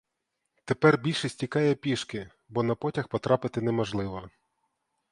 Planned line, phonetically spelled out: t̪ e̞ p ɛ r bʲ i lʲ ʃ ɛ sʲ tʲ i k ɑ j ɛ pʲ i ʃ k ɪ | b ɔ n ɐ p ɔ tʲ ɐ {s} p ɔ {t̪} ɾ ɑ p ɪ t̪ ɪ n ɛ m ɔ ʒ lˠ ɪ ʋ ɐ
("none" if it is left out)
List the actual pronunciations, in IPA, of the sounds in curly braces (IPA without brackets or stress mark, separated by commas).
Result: x, t̪